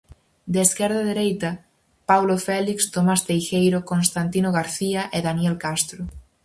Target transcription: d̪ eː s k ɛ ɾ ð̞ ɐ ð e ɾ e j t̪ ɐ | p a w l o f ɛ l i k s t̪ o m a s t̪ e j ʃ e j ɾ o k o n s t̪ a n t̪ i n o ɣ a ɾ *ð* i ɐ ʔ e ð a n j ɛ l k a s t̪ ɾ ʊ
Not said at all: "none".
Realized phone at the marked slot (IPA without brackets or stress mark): θ